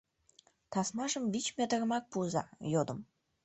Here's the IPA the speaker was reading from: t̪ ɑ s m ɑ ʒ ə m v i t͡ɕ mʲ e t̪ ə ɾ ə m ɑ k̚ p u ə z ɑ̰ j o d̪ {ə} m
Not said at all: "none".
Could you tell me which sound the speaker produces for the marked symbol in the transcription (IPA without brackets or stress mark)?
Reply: ə